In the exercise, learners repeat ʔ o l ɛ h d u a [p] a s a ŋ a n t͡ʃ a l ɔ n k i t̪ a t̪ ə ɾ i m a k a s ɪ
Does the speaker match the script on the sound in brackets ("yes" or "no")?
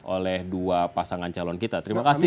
yes